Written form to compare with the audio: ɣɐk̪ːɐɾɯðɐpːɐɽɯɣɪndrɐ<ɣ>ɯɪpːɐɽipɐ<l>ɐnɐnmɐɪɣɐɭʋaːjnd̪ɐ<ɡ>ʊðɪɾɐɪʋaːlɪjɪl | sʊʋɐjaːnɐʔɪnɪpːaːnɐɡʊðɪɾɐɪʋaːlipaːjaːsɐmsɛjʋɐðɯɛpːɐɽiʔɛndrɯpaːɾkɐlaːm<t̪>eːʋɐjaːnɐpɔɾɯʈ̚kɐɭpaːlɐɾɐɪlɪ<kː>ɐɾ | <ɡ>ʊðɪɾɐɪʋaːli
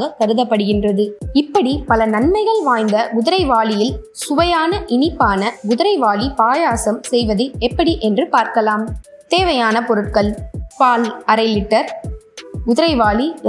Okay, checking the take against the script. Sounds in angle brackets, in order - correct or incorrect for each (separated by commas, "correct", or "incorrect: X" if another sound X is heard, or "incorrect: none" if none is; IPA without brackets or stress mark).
incorrect: ð, correct, correct, correct, incorrect: ʈː, correct